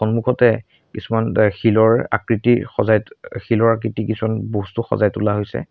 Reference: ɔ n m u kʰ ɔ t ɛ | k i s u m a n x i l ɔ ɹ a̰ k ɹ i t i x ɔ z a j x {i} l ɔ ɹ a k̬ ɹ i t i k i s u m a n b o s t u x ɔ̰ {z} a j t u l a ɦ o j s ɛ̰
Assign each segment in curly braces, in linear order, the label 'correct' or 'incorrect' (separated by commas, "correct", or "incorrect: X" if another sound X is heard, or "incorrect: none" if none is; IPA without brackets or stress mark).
correct, correct